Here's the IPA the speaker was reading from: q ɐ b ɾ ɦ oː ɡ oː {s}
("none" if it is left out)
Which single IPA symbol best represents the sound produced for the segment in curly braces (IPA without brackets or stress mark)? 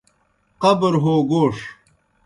ʂ